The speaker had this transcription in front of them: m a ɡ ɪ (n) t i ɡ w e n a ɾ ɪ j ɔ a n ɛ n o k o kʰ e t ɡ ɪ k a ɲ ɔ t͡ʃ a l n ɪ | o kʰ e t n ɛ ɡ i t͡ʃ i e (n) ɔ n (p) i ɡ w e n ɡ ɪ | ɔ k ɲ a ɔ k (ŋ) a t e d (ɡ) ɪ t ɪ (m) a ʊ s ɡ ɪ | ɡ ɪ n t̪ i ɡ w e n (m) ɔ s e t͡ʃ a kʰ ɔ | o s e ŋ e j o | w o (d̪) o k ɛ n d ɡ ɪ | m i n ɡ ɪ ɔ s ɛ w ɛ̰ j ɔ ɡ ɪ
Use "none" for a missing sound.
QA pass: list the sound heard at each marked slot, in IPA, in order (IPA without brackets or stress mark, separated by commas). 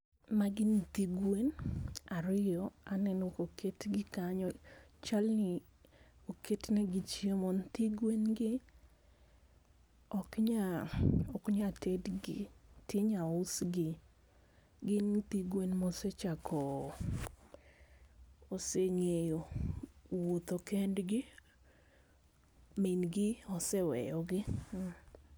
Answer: n, m, t, ɲ, ɡ, ɲ, m, t̪